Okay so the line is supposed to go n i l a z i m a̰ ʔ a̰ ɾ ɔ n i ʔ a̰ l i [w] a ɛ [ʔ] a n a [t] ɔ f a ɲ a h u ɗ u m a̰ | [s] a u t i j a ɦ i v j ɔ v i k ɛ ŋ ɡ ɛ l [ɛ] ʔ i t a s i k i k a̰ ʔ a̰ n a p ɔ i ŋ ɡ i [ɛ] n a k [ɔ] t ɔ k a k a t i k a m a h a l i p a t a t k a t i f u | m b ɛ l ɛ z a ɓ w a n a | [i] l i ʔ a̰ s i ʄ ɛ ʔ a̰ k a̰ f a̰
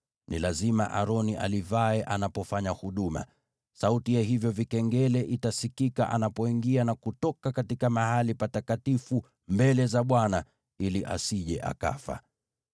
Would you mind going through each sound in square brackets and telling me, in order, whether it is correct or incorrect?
incorrect, correct, incorrect, correct, correct, incorrect, incorrect, correct

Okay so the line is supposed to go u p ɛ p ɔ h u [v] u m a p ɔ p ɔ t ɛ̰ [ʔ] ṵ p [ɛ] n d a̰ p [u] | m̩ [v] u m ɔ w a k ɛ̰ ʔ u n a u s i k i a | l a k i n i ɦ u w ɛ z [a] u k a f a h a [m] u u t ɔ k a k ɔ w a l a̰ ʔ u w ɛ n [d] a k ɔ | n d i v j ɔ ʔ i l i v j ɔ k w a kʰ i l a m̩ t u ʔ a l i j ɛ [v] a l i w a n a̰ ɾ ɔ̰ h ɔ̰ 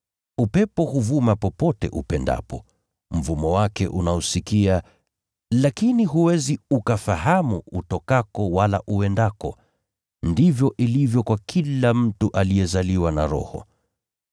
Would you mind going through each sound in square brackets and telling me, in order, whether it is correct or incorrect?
correct, correct, correct, incorrect, correct, incorrect, correct, correct, incorrect

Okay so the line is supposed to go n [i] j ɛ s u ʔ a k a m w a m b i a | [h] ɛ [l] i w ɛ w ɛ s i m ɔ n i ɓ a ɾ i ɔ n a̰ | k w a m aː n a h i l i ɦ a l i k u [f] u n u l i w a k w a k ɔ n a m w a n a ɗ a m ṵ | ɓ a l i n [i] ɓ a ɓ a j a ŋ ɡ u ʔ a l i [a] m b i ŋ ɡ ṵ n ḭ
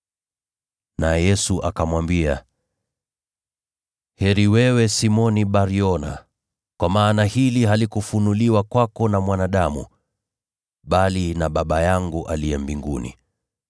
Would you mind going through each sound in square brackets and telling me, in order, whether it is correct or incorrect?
incorrect, correct, incorrect, correct, incorrect, incorrect

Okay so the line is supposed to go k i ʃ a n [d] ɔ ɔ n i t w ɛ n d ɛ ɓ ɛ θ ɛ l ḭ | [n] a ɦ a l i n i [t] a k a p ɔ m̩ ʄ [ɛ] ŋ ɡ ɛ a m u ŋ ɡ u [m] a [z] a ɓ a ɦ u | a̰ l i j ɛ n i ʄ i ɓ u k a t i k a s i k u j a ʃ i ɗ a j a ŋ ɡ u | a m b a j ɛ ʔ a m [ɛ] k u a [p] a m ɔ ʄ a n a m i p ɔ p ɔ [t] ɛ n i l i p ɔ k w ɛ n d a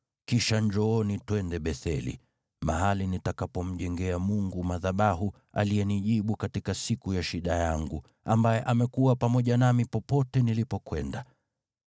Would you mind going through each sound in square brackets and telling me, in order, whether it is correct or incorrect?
incorrect, incorrect, correct, correct, correct, incorrect, correct, correct, correct

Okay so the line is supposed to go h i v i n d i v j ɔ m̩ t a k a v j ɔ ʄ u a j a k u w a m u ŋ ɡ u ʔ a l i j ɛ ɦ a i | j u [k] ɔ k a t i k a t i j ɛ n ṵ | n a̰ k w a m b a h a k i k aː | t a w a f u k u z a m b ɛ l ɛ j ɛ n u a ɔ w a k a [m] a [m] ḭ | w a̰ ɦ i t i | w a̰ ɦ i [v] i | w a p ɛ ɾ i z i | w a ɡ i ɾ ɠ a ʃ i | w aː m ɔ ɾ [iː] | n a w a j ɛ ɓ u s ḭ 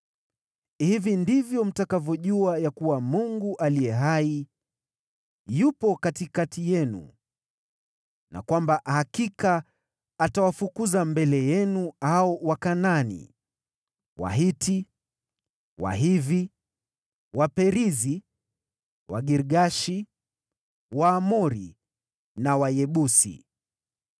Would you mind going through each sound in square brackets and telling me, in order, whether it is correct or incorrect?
incorrect, incorrect, incorrect, correct, incorrect

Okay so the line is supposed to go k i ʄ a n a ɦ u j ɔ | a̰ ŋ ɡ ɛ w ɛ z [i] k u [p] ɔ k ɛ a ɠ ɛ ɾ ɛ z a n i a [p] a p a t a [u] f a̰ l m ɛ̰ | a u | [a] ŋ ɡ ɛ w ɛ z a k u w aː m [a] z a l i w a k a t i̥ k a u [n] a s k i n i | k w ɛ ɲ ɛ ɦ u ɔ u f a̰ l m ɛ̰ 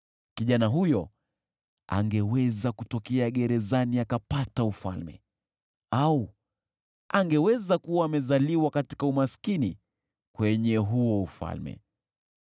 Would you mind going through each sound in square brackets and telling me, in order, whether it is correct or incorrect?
incorrect, incorrect, incorrect, correct, correct, incorrect, incorrect

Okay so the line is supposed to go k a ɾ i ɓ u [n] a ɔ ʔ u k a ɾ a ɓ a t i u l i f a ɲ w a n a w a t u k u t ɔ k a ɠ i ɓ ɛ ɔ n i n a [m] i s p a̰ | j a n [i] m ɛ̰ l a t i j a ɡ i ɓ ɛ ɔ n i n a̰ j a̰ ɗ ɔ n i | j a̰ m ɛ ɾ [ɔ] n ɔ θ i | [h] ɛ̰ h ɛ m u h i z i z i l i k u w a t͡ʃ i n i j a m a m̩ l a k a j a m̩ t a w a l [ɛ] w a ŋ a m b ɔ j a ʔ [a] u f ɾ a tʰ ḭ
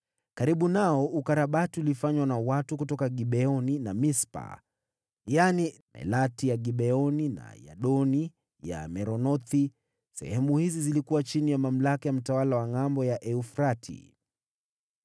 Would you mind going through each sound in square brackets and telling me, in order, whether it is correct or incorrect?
correct, correct, correct, correct, incorrect, incorrect, incorrect

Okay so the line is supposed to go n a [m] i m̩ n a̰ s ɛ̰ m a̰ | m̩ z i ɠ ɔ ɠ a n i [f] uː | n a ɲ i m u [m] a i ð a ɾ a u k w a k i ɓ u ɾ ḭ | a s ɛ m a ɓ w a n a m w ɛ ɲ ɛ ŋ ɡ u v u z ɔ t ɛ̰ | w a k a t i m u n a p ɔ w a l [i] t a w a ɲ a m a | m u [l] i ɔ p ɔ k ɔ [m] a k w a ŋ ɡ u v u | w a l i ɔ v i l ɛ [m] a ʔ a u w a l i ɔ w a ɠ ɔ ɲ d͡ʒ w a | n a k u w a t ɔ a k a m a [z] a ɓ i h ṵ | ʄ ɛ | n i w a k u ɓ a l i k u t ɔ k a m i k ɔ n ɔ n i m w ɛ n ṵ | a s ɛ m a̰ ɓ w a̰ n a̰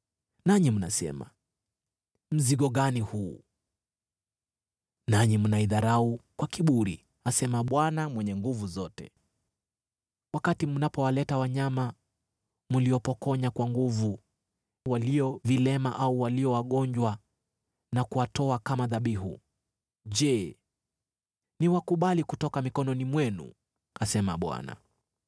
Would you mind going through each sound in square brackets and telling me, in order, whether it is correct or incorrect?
incorrect, incorrect, incorrect, incorrect, correct, incorrect, correct, incorrect

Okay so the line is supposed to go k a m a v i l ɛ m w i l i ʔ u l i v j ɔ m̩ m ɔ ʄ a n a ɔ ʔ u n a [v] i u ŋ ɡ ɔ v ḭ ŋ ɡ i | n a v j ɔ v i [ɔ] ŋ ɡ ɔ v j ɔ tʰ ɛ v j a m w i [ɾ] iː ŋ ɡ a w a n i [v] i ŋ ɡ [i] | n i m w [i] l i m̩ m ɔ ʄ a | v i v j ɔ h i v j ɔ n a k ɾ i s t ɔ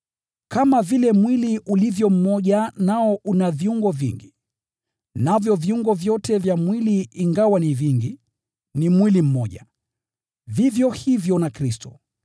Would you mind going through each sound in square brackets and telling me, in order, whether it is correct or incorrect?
correct, incorrect, incorrect, correct, correct, correct

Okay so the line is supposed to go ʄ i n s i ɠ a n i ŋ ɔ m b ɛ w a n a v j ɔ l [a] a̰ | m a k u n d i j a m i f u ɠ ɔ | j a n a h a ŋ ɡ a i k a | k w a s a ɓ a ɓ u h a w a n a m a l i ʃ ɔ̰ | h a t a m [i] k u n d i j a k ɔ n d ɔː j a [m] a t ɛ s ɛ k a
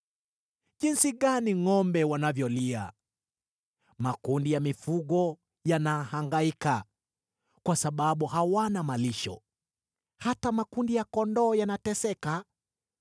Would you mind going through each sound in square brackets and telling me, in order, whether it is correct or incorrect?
incorrect, incorrect, incorrect

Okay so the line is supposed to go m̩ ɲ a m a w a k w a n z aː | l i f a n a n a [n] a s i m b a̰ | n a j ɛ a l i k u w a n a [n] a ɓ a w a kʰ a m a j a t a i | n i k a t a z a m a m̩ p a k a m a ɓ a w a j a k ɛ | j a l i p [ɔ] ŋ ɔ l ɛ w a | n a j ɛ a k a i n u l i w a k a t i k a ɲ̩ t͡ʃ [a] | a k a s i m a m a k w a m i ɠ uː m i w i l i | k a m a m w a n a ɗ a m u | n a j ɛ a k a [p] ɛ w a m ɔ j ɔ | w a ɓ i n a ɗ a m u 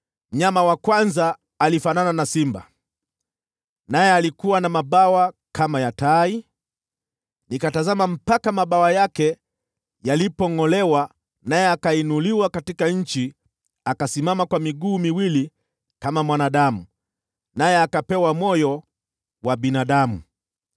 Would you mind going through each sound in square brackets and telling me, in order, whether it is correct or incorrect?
correct, incorrect, correct, incorrect, correct

